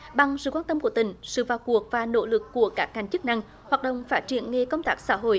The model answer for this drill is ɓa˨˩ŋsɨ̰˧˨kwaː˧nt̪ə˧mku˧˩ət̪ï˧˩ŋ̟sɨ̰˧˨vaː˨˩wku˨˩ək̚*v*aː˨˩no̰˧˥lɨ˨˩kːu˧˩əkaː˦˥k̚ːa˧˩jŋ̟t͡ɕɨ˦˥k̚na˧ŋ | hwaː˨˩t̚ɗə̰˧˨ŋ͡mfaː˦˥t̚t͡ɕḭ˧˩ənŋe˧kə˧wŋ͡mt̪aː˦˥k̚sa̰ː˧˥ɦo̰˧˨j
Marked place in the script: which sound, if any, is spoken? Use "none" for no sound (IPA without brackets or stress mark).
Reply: v